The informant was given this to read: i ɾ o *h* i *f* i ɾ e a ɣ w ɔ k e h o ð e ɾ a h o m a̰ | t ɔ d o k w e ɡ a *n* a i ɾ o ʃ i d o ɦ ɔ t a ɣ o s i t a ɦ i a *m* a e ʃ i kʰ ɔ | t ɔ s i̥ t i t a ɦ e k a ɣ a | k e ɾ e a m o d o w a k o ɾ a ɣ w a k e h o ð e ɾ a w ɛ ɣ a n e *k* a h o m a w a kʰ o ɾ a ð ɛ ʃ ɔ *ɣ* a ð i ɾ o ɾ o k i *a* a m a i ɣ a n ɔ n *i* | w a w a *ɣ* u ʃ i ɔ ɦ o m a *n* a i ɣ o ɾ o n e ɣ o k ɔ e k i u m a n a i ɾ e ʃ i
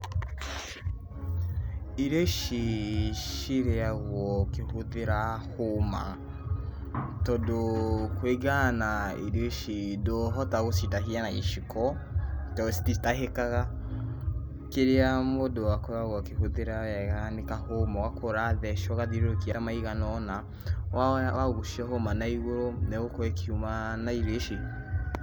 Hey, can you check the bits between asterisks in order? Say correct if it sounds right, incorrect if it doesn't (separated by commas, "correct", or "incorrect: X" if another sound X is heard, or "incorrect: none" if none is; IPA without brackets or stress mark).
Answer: incorrect: ʃ, incorrect: ʃ, correct, incorrect: n, correct, correct, correct, incorrect: a, correct, correct